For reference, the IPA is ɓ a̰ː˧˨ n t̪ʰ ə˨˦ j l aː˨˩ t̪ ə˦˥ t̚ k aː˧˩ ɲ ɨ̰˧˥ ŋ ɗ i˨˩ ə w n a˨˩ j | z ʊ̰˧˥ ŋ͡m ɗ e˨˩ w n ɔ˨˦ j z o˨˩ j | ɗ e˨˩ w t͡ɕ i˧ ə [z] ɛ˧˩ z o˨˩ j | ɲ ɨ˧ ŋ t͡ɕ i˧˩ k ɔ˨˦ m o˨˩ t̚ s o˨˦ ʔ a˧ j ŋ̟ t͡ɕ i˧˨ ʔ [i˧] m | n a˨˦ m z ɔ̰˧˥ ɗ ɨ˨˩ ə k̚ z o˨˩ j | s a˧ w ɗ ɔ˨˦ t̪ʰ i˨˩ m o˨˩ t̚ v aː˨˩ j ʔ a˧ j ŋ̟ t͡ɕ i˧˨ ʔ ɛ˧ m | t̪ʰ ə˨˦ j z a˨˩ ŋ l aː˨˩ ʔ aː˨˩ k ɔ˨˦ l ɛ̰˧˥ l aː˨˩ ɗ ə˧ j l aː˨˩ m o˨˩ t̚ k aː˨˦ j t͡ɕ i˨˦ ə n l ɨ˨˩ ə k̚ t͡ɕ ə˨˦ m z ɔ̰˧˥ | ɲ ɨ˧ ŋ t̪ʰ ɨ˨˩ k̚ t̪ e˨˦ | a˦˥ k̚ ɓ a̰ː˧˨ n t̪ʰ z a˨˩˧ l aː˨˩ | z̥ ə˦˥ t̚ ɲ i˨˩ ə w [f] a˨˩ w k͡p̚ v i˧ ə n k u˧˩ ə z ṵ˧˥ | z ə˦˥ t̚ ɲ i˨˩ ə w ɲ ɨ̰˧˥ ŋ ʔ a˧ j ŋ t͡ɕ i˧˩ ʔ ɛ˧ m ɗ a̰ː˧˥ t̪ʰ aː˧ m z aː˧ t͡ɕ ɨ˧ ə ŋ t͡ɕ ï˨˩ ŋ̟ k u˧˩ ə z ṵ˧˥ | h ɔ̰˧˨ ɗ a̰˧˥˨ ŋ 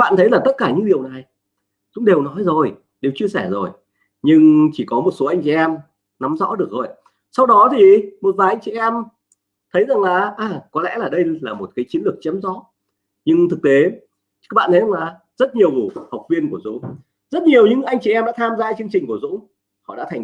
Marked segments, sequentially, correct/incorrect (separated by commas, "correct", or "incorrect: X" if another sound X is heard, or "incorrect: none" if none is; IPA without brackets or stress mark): incorrect: s, incorrect: ɛ˧, incorrect: h